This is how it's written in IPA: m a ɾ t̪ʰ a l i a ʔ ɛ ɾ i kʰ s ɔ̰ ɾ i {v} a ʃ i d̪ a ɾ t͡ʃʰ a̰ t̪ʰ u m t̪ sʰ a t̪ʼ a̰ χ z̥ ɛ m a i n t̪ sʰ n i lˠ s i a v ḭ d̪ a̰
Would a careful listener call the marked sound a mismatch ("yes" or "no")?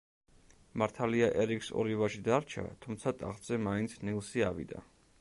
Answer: no